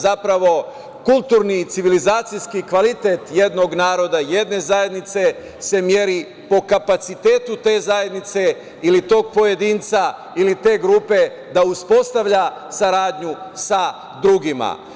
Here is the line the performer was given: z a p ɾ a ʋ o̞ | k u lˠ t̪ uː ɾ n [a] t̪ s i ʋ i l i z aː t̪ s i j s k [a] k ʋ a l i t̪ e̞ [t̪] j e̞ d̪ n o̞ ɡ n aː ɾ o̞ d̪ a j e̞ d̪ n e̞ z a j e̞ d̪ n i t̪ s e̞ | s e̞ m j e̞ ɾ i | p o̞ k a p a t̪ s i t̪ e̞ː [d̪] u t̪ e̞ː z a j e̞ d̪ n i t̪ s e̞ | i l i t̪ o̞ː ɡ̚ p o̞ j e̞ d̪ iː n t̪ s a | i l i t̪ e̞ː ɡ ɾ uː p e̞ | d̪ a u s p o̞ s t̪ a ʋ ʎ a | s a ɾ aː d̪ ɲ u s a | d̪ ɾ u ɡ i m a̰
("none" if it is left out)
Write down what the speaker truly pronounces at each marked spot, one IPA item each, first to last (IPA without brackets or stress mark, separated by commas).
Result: i, i, t̪, t̪